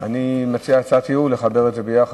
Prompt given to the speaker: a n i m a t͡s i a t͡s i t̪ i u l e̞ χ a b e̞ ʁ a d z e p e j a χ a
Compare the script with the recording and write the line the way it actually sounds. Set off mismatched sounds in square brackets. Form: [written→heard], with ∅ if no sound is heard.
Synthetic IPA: a n i m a t͡s i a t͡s [i→a] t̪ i u l e̞ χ a b e̞ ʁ [a→e] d z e [p→b] e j a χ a